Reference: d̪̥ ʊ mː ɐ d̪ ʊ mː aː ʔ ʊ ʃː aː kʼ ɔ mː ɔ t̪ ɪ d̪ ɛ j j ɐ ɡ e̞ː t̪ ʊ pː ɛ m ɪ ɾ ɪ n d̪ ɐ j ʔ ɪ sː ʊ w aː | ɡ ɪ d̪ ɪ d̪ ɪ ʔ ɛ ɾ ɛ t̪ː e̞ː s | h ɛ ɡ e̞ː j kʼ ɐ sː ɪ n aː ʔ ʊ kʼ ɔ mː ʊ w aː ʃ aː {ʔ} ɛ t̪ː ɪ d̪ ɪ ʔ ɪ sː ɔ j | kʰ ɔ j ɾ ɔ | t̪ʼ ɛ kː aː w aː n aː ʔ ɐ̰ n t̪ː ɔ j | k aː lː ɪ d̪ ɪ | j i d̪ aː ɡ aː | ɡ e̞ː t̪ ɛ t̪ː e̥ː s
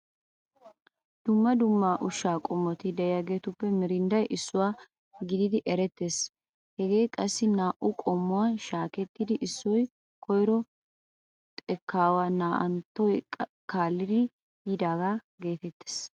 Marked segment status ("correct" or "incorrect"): incorrect